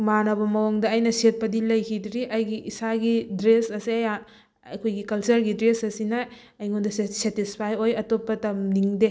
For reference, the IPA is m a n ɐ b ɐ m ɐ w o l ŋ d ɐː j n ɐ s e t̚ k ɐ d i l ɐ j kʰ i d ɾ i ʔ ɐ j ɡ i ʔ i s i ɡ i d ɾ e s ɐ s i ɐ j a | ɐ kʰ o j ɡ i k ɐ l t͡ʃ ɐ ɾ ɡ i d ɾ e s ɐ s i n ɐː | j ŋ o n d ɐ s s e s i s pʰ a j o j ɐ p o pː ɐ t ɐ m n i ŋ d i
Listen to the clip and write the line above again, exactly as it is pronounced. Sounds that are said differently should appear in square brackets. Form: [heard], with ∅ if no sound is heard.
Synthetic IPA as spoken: m a n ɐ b ɐ m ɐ w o [∅] ŋ d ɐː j n ɐ s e t̚ [p] ɐ d i l ɐ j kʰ i d ɾ i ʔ ɐ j ɡ i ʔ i s [a] ɡ i d ɾ e s ɐ s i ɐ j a | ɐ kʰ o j ɡ i k ɐ l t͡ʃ ɐ ɾ ɡ i d ɾ e s ɐ s i n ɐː | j ŋ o n d ɐ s s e [t] i s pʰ a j o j ɐ [t] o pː ɐ t ɐ m n i ŋ d [e]